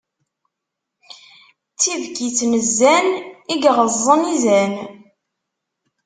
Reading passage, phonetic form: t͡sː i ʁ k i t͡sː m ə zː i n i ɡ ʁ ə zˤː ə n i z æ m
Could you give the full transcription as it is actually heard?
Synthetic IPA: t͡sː i v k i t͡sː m ə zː æ n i ɡ ʁ ə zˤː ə n i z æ n